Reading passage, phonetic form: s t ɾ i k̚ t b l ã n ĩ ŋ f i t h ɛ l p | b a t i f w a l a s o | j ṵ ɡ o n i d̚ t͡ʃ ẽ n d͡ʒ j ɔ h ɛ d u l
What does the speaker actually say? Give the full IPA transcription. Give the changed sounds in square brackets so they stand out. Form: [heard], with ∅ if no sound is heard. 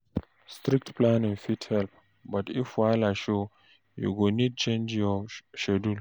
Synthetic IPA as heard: s t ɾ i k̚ t [p] l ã n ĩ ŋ f i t h ɛ l p | b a t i f w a l a [ʃ] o | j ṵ ɡ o n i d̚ t͡ʃ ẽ n d͡ʒ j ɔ [ʃ] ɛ d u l